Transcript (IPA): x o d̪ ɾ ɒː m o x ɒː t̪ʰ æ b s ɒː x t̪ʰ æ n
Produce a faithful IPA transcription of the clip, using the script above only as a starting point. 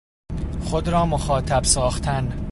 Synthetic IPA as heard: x o d̪ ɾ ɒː m o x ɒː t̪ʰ æ b s ɒː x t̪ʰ æ n